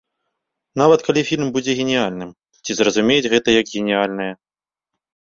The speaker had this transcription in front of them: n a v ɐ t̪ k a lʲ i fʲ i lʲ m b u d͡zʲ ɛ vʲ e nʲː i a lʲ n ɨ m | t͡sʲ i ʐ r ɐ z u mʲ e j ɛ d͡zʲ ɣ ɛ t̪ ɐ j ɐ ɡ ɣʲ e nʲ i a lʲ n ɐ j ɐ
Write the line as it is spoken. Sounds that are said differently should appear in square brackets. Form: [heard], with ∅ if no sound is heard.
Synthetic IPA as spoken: n a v ɐ t̪ k a lʲ i fʲ i lʲ m b u d͡zʲ ɛ [ɣʲ] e [nʲ] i a lʲ n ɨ m | t͡sʲ i [z] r ɐ z u mʲ e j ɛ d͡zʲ ɣ ɛ t̪ ɐ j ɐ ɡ ɣʲ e nʲ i a lʲ n ɐ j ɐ

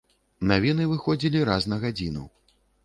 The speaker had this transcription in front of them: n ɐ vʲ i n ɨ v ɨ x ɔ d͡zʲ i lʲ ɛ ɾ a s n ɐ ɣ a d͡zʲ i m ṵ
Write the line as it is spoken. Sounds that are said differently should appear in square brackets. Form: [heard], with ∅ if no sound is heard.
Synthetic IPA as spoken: n [a] vʲ i n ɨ v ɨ x ɔ d͡zʲ i lʲ [i] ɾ a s n ɐ ɣ a d͡zʲ i [n] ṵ

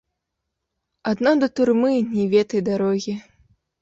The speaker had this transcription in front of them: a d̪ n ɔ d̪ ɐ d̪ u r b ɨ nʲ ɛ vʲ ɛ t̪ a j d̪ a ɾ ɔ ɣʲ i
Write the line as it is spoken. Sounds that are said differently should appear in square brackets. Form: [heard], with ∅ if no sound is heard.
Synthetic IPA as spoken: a d̪ n ɔ d̪ ɐ [t̪] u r [m] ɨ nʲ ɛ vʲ ɛ t̪ [ɐ] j d̪ a ɾ ɔ ɣʲ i

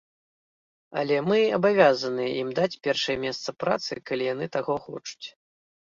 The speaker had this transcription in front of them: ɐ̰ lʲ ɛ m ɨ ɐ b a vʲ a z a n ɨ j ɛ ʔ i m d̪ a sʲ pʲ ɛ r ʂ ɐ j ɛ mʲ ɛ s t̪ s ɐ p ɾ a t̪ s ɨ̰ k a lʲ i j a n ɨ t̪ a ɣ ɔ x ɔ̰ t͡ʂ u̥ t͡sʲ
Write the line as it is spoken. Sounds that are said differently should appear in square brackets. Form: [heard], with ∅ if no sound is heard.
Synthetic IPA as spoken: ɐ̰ lʲ ɛ m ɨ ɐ b a vʲ a z [ɐ] n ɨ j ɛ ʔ i m d̪ a [t͡sʲ] pʲ ɛ r ʂ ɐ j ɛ mʲ ɛ s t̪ s ɐ p ɾ a t̪ s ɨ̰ k a lʲ i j a n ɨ t̪ a ɣ ɔ x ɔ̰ t͡ʂ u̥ t͡sʲ

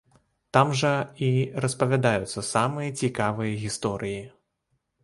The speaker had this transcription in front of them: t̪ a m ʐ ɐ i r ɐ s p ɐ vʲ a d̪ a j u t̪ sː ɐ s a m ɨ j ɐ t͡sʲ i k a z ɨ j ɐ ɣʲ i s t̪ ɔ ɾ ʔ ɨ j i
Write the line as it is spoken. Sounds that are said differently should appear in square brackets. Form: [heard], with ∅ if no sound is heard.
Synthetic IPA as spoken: t̪ a m ʐ ɐ i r ɐ s p ɐ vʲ a d̪ a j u t̪ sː ɐ s a m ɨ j ɐ t͡sʲ i k a [v] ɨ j ɐ ɣʲ i s t̪ ɔ ɾ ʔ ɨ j i

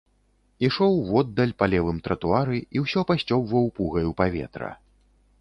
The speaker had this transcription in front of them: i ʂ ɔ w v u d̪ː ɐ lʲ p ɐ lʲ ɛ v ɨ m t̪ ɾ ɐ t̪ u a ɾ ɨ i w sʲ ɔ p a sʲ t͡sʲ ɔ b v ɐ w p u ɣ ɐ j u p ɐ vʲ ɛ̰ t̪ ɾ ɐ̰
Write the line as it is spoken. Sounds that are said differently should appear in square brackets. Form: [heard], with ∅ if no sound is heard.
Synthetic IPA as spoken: i ʂ ɔ w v [ɔ] d̪ː ɐ lʲ p [a] lʲ ɛ v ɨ m t̪ ɾ ɐ t̪ u a ɾ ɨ i w sʲ ɔ p a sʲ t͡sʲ ɔ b v ɐ w p u ɣ ɐ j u p [a] vʲ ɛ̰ t̪ ɾ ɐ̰

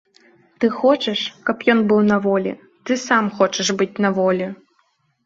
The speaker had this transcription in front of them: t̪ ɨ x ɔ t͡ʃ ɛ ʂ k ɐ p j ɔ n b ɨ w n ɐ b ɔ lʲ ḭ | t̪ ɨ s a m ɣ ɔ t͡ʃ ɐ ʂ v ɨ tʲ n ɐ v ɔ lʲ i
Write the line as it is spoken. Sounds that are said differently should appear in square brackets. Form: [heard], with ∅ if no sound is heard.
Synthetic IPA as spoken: t̪ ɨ x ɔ t͡ʃ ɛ ʂ k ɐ p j ɔ n b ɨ w n ɐ [v] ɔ lʲ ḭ | t̪ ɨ s a m [x] ɔ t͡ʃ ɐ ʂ [b] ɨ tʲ n ɐ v ɔ lʲ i

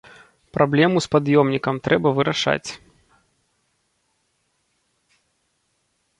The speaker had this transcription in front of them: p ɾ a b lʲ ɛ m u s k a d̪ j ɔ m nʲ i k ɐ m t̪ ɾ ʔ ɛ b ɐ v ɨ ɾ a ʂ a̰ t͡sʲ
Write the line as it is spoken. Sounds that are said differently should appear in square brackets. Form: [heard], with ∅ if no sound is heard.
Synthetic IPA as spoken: p ɾ a b lʲ ɛ m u s [p] a d̪ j ɔ m nʲ i k ɐ m t̪ ɾ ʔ ɛ b ɐ v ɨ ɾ a ʂ a̰ t͡sʲ

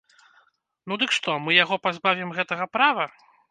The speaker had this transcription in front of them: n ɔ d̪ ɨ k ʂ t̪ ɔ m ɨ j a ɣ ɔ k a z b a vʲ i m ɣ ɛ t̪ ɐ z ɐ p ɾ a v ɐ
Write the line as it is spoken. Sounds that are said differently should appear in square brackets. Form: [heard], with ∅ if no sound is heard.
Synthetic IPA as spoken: n [u] d̪ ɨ k ʂ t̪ ɔ m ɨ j a ɣ ɔ [p] a z b a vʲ i m ɣ ɛ t̪ ɐ [ɣ] ɐ p ɾ a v ɐ

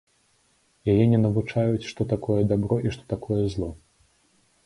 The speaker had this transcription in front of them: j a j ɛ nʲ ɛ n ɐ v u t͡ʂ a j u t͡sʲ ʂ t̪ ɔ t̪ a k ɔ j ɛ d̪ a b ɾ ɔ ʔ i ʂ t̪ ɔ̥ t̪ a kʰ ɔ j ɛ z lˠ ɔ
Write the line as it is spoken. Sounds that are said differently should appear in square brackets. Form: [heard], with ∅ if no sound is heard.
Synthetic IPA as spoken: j a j ɛ nʲ ɛ n ɐ v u t͡ʂ a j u t͡sʲ ʂ t̪ ɔ t̪ a k ɔ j ɛ d̪ a b ɾ ɔ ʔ i ʂ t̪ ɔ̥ t̪ a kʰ ɔ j ɛ z lˠ ɔ

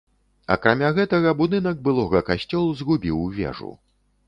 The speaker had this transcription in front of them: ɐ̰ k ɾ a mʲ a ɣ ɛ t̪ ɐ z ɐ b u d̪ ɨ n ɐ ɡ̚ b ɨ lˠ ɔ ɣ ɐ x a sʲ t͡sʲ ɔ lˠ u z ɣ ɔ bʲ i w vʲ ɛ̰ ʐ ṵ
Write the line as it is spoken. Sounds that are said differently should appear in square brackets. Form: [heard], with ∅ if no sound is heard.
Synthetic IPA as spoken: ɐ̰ k ɾ a mʲ a ɣ ɛ t̪ ɐ [ɣ] ɐ b u d̪ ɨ n ɐ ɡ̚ b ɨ lˠ ɔ ɣ ɐ [k] a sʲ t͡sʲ ɔ lˠ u z ɣ [u] bʲ i w vʲ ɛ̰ ʐ ṵ

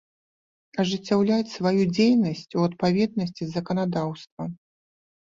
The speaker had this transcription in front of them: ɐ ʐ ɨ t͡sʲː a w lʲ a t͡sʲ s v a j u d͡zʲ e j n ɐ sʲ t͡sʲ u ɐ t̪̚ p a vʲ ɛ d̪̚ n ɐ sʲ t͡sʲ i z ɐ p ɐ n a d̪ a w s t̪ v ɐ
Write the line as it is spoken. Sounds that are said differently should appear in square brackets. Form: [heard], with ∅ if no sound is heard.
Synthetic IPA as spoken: ɐ ʐ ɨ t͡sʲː a w lʲ a t͡sʲ s v a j u d͡zʲ e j n ɐ sʲ t͡sʲ u ɐ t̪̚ p a vʲ ɛ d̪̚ n ɐ sʲ t͡sʲ i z ɐ [k] ɐ n a d̪ a w s t̪ v ɐ

